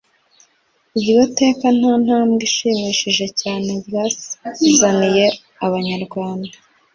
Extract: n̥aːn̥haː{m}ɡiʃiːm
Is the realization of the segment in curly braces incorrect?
no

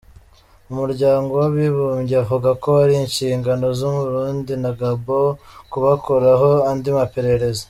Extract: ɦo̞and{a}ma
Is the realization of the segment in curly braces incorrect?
yes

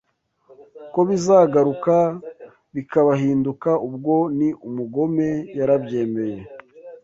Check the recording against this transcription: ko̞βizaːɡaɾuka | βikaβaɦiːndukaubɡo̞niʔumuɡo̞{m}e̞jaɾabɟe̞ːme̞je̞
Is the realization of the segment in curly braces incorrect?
no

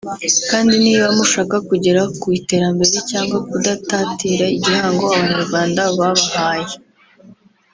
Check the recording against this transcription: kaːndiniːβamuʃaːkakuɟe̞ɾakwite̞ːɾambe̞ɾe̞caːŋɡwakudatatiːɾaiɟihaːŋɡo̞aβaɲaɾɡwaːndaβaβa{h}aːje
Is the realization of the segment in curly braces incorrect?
no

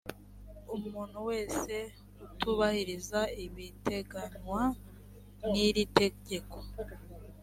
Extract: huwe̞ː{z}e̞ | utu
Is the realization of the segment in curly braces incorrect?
yes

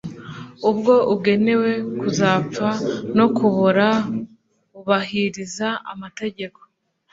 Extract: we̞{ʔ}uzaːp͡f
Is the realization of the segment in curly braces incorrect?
yes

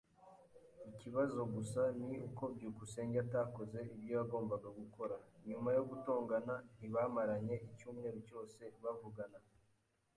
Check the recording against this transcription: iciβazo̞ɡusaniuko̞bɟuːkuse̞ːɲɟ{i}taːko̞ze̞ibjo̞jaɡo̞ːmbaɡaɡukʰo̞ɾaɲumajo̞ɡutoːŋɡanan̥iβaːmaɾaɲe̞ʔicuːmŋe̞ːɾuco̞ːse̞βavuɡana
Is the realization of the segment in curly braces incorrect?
yes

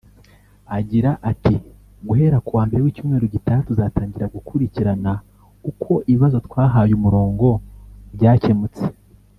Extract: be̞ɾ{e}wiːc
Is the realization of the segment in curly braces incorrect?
no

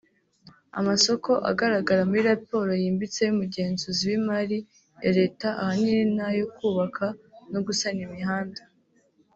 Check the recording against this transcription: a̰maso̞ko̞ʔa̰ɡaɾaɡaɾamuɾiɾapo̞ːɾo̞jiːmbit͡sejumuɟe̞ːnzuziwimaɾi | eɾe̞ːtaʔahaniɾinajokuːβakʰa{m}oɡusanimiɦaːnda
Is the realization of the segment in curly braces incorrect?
yes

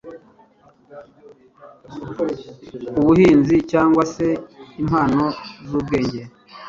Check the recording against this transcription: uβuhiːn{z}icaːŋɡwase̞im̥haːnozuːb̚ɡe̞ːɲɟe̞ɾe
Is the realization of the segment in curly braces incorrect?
no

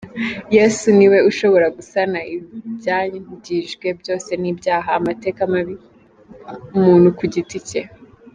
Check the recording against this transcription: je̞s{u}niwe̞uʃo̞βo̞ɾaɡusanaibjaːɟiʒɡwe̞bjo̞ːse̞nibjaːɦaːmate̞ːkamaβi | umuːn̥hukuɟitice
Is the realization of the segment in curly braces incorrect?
no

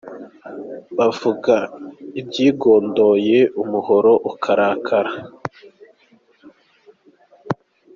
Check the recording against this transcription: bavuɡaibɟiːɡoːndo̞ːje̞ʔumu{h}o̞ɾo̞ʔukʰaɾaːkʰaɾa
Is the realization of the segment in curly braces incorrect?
no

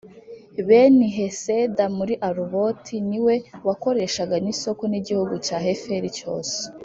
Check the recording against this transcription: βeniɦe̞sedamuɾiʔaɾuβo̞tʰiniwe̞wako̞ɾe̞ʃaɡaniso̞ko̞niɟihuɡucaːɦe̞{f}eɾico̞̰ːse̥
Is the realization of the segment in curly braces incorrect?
no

